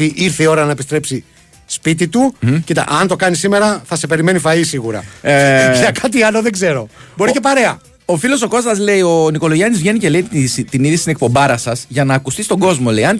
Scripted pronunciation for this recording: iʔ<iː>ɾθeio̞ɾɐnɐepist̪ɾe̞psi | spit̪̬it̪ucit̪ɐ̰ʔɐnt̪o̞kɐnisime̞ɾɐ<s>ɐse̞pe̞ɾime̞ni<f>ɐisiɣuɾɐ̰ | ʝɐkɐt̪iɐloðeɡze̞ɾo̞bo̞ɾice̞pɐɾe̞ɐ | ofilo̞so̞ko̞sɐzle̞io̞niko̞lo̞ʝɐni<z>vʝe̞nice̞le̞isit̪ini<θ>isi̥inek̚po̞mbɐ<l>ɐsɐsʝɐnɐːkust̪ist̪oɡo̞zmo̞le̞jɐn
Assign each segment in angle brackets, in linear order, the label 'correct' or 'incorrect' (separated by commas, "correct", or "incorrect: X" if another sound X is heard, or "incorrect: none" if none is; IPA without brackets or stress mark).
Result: incorrect: i, incorrect: θ, correct, correct, incorrect: ð, incorrect: ɾ